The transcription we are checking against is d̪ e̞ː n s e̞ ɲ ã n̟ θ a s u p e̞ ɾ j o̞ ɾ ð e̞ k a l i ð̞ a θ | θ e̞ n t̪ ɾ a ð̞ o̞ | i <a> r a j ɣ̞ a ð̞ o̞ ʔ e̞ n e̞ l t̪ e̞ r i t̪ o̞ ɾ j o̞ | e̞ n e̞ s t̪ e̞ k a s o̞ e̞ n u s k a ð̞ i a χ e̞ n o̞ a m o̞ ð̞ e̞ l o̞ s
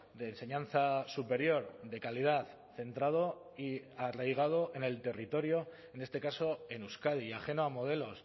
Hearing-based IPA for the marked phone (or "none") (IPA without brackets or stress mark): a